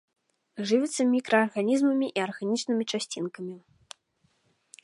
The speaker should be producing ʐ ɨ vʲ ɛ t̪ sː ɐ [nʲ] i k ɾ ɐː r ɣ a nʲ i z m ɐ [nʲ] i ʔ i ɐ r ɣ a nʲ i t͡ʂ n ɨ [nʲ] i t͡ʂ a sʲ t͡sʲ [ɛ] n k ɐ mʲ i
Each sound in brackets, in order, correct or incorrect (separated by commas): incorrect, incorrect, incorrect, incorrect